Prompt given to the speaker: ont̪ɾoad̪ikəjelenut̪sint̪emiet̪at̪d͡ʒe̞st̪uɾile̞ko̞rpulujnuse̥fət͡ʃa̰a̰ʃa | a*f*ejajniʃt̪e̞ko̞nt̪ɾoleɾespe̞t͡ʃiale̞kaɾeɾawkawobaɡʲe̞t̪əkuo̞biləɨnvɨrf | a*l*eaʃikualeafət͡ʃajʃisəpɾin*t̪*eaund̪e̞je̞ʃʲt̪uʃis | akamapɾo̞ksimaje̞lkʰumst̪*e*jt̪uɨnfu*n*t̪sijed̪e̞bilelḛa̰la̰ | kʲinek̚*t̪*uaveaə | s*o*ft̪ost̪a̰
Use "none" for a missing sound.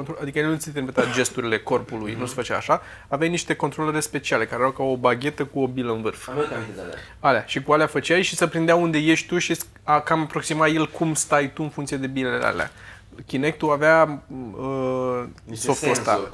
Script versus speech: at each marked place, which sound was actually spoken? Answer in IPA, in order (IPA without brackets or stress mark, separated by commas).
v, l, d̪, a, ŋ, t̪, o